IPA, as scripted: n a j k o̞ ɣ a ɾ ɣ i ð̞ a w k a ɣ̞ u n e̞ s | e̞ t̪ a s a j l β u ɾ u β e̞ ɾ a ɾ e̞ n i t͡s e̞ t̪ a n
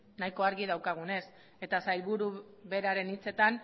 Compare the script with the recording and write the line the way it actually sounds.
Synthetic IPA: n a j k o̞ a ɾ ɣ i ð̞ a w k a ɣ̞ u n e̞ s | e̞ t̪ a s a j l β u ɾ u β e̞ ɾ a ɾ e̞ n i t͡s e̞ t̪ a n